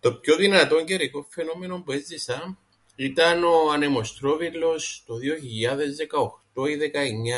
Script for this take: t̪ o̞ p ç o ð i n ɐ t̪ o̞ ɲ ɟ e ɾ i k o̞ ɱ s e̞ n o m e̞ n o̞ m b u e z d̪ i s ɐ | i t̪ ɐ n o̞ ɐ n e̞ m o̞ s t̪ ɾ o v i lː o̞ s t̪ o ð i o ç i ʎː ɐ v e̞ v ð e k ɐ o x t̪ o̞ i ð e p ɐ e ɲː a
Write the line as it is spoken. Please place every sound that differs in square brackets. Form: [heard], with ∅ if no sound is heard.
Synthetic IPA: t̪ o̞ p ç o ð i n ɐ t̪ o̞ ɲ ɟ e ɾ i k o̞ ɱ [f] e̞ n o m e̞ n o̞ m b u e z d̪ i s ɐ | i t̪ ɐ n o̞ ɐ n e̞ m o̞ s t̪ ɾ o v i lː o̞ s t̪ o ð i o ç i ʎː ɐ [ð] e̞ [z] ð e k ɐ o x t̪ o̞ i ð e [k] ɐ e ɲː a

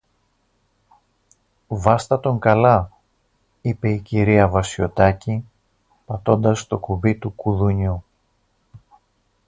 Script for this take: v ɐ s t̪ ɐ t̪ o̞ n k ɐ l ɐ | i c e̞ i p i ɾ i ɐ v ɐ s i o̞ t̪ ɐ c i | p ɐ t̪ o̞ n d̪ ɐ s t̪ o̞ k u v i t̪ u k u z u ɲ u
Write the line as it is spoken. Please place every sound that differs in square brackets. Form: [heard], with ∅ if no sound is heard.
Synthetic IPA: v ɐ s t̪ ɐ t̪ o̞ [ŋ] k ɐ l ɐ | i [p] e̞ i [c] i ɾ i ɐ v ɐ s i o̞ t̪ ɐ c i | p ɐ t̪ o̞ n d̪ ɐ s t̪ o̞ k u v i t̪ u k u [ð] u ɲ u

